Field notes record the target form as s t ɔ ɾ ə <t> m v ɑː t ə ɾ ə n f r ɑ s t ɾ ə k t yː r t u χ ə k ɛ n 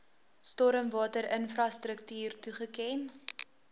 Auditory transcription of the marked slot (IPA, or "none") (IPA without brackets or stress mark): none